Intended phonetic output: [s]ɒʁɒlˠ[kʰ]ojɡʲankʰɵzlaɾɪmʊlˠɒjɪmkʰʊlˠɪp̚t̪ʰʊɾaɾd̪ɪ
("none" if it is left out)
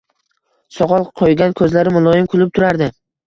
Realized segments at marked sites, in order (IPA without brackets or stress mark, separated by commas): s, qʰ